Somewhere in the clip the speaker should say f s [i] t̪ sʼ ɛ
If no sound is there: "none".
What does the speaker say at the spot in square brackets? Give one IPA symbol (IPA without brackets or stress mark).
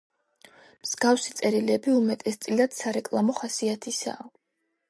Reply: i